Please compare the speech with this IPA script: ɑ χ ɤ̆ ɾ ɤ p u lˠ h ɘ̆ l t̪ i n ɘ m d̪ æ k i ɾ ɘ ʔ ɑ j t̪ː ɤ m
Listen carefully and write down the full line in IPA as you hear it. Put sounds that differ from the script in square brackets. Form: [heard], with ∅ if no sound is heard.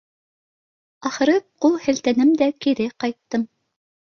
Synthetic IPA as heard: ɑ χ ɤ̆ ɾ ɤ [q] u lˠ h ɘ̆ l t̪ [æ] n ɘ m d̪ æ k i ɾ ɘ [q] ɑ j t̪ː ɤ m